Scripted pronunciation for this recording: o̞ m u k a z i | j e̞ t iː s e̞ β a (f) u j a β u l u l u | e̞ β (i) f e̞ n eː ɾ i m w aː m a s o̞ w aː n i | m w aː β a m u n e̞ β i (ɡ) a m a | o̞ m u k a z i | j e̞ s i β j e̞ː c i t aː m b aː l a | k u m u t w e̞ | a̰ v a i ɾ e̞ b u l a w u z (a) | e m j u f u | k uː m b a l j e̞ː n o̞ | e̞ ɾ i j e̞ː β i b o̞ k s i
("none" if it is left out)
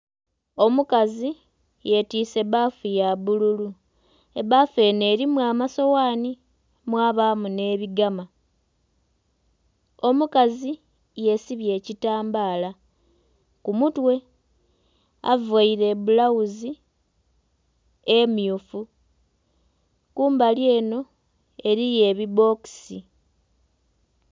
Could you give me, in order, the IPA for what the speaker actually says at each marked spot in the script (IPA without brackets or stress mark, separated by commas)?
f, a, ɡ, i